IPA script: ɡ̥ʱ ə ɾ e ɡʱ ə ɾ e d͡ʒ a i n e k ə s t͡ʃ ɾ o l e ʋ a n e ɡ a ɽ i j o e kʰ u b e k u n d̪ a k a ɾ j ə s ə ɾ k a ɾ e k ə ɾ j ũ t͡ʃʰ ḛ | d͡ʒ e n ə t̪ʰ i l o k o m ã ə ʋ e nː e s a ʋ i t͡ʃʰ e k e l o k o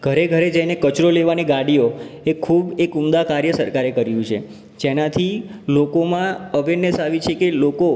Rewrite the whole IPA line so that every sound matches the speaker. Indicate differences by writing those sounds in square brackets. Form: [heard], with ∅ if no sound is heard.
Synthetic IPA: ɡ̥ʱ ə ɾ e ɡʱ ə ɾ e d͡ʒ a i n e k ə [∅] t͡ʃ ɾ o l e ʋ a n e ɡ a ɽ i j o e kʰ u b e k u [m] d̪ a k a ɾ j ə s ə ɾ k a ɾ e k ə ɾ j ũ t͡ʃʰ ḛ | d͡ʒ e n [a] t̪ʰ i l o k o m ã ə ʋ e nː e s a ʋ i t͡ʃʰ e k e l o k o